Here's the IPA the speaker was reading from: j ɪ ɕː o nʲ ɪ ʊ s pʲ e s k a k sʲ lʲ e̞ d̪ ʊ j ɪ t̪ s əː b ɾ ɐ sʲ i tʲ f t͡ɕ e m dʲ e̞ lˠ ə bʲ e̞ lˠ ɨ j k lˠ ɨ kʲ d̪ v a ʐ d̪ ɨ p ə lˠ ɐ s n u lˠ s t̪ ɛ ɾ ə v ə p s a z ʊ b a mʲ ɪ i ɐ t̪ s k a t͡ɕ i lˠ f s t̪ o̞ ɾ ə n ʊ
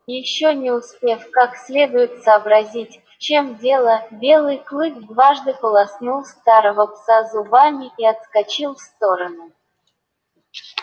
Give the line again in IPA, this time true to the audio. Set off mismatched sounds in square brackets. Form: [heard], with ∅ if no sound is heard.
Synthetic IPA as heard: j ɪ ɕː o nʲ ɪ ʊ s pʲ e [f] k a k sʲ lʲ e̞ d̪ ʊ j ɪ t̪ s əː b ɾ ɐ [zʲ] i tʲ f t͡ɕ e m dʲ e̞ lˠ ə bʲ e̞ lˠ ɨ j k lˠ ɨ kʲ d̪ v a ʐ d̪ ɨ p ə lˠ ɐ s n u lˠ s t̪ [a] ɾ ə v ə p s a z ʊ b a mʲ ɪ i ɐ t̪ s k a t͡ɕ i lˠ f s t̪ o̞ ɾ ə n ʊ